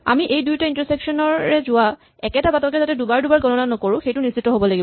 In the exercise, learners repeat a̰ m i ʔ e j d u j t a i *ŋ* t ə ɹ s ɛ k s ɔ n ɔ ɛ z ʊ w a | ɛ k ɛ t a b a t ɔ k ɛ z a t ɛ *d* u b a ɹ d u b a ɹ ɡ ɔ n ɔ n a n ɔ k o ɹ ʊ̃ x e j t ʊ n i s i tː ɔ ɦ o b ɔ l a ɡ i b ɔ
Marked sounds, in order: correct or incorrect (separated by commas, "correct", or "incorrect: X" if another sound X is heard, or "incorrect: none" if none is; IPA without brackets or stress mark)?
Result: incorrect: n, correct